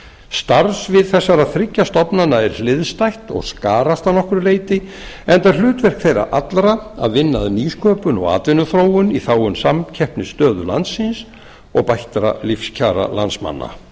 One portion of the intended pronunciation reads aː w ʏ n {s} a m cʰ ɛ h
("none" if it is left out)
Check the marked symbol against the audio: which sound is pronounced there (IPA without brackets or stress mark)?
s